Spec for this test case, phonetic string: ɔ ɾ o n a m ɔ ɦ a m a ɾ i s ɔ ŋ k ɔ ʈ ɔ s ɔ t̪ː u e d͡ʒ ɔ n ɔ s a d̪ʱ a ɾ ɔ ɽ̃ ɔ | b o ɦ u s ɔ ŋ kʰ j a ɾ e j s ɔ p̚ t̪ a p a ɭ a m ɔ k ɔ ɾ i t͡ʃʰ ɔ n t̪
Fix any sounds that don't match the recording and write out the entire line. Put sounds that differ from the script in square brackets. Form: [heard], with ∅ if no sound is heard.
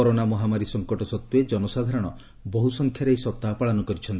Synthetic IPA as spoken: ɔ ɾ o n a m ɔ ɦ a m a ɾ i s ɔ ŋ k ɔ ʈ ɔ s ɔ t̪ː u e d͡ʒ ɔ n ɔ s a d̪ʱ a ɾ ɔ ɽ̃ ɔ | b [ɔ] ɦ u s ɔ ŋ kʰ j a ɾ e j s ɔ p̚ t̪ a p a ɭ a [n] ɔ k ɔ ɾ i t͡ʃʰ ɔ n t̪